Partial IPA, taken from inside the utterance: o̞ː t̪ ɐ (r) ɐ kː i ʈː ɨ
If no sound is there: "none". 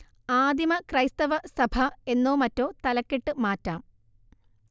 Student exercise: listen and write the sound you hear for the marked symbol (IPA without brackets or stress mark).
l